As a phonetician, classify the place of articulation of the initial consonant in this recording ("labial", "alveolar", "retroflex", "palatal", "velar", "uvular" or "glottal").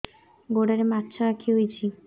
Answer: velar